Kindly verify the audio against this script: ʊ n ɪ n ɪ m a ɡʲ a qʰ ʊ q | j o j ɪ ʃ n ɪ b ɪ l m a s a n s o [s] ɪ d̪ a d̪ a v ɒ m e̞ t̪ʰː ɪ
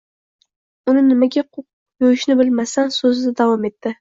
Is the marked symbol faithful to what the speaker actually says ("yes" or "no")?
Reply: no